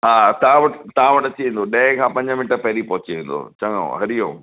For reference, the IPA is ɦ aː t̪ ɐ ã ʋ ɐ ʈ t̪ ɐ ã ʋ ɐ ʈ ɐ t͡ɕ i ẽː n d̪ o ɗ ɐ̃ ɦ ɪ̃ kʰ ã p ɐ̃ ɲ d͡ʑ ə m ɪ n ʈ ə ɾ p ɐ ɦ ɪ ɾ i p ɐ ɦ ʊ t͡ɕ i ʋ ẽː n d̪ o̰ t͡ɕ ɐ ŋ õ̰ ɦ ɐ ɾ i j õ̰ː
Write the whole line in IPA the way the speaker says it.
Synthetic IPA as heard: ɦ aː t̪ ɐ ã ʋ ɐ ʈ t̪ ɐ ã ʋ ɐ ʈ ɐ t͡ɕ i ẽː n d̪ o ɗ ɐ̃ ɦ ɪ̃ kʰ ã p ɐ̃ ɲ d͡ʑ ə m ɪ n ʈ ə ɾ p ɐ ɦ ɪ ɾ i p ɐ ɦ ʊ t͡ɕ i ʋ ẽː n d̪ o̰ t͡ɕ ɐ ŋ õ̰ ɦ ɐ ɾ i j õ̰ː